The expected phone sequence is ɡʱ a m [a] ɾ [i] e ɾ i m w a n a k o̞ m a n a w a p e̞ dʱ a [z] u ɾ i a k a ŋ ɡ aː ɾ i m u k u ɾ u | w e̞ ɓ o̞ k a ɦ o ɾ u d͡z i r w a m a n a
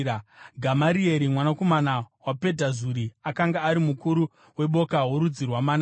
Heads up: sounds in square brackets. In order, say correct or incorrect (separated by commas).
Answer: correct, correct, correct